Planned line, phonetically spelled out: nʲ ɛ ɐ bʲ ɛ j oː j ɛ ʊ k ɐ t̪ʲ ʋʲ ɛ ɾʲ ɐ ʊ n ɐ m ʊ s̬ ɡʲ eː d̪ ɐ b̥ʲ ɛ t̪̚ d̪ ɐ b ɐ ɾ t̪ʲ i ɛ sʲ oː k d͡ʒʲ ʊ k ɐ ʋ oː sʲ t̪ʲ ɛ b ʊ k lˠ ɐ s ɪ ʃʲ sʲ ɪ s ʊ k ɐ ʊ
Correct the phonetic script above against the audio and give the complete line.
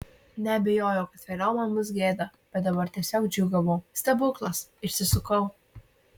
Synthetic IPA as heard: nʲ ɛ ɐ bʲ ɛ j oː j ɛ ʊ k ɐ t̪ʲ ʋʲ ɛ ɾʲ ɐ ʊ m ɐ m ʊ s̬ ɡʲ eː d̪ ɐ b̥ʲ ɛ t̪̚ d̪ ɐ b ɐ ɾ t̪ʲ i ɛ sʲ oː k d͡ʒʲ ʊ ɡ ɐ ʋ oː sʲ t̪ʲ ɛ b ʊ k lˠ ɐ s ɪ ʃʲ sʲ ɪ s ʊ k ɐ ʊ